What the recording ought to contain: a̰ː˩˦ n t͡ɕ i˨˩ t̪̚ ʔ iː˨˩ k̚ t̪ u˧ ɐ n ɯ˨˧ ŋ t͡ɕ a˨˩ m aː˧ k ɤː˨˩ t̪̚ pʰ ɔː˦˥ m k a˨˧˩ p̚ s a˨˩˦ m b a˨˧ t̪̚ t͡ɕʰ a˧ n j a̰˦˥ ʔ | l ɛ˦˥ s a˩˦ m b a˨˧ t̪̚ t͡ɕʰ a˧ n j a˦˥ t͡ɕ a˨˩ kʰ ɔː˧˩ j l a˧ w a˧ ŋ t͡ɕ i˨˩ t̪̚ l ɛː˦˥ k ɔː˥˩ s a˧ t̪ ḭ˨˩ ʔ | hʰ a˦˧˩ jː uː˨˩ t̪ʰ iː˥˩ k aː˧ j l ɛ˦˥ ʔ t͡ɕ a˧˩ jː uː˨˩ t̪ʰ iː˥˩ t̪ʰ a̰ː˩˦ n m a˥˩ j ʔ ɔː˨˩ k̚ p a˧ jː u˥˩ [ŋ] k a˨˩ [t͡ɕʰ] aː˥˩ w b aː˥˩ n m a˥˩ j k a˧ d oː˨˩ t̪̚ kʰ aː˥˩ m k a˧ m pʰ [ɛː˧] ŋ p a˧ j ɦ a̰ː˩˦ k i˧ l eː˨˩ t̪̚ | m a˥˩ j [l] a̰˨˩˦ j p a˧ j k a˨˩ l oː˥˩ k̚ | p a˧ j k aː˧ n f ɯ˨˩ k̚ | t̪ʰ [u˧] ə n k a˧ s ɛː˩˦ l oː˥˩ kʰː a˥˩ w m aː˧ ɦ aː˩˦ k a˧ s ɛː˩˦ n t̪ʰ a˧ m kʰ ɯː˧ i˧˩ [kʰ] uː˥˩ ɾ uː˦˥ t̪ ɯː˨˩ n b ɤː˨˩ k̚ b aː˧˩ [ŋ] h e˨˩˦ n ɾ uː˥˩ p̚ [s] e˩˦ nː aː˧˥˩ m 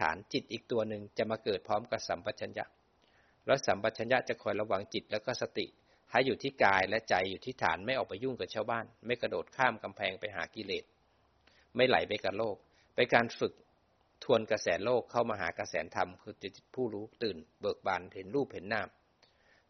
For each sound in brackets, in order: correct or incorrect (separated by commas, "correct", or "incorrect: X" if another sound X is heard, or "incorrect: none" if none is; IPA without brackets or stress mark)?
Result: correct, correct, correct, correct, correct, incorrect: pʰ, incorrect: n, incorrect: h